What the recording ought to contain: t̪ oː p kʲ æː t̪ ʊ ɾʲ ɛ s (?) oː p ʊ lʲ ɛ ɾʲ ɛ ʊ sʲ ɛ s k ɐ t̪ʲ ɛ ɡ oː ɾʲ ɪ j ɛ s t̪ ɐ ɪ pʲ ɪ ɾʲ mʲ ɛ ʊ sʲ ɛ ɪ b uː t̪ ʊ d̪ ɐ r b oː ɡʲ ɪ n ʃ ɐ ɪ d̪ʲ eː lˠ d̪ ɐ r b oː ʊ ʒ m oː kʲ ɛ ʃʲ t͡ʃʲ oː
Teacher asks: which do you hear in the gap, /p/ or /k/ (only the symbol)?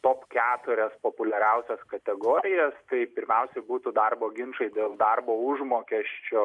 p